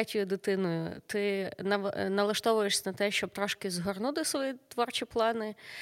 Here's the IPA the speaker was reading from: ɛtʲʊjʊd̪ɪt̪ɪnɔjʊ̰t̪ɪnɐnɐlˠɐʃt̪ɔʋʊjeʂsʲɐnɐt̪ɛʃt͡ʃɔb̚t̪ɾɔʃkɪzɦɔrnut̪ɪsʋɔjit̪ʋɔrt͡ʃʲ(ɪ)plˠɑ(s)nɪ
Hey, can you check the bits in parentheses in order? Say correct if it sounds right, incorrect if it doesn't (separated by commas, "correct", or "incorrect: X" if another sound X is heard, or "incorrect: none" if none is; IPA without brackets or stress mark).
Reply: incorrect: i, incorrect: none